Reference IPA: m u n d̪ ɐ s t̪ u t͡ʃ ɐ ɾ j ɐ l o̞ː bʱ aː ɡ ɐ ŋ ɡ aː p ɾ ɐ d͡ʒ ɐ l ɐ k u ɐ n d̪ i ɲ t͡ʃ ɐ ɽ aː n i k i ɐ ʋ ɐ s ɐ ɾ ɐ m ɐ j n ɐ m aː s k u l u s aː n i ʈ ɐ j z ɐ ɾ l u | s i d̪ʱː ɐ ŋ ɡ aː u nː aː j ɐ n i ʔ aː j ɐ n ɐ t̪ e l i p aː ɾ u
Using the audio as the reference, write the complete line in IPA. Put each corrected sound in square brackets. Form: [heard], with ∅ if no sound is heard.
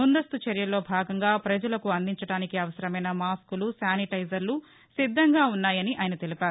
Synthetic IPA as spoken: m u n d̪ ɐ s t̪ u t͡ʃ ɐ ɾ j ɐ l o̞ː bʱ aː ɡ ɐ ŋ ɡ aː p ɾ ɐ d͡ʒ ɐ l ɐ k u ɐ n d̪ i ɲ t͡ʃ ɐ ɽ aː n i k i ɐ ʋ ɐ s ɐ ɾ ɐ m ɐ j n ɐ m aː s k u l u s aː n i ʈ ɐ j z ɐ ɾ l u | s i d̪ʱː ɐ ŋ ɡ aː u nː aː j ɐ n i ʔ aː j ɐ n ɐ t̪ e l i p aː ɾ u